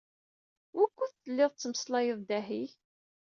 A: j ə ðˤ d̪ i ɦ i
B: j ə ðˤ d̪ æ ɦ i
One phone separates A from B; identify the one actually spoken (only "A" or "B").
B